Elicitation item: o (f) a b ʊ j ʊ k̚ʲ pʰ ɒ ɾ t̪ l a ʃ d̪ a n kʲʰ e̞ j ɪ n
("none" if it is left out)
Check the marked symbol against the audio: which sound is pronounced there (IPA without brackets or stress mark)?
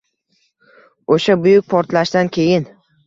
ʃ